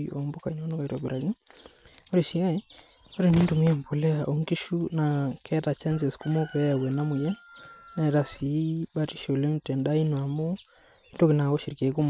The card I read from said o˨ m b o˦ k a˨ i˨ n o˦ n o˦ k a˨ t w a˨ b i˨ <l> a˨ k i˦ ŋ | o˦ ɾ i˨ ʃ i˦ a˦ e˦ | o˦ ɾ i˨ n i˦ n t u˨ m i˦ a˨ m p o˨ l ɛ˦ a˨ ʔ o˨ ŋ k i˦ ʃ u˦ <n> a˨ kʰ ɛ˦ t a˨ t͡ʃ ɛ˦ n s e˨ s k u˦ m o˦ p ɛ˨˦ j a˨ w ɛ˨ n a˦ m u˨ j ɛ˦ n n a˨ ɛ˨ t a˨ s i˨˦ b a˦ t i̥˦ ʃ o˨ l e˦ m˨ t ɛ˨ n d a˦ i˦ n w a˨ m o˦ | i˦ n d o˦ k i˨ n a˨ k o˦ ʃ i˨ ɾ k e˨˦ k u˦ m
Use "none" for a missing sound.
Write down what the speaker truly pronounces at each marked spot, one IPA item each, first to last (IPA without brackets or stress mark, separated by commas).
ɾ, n